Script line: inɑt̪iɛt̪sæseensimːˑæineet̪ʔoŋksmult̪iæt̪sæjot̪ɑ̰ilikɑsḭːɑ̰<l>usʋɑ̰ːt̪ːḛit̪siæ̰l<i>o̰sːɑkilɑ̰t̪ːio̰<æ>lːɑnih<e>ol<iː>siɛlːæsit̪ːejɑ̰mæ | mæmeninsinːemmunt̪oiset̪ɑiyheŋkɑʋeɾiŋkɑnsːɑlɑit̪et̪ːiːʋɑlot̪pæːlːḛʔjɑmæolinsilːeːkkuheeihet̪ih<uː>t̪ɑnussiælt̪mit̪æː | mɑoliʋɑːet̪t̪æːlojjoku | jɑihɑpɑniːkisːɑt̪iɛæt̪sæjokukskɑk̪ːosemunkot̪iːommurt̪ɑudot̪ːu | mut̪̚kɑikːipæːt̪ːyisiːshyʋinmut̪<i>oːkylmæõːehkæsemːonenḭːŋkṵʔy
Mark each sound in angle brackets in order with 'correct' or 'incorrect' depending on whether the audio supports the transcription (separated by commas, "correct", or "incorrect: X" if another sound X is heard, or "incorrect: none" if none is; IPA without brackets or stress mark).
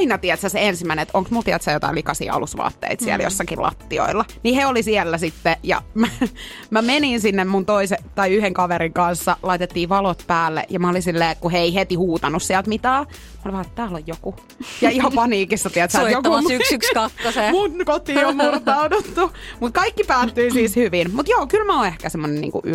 correct, incorrect: j, incorrect: i, correct, incorrect: i, correct, incorrect: j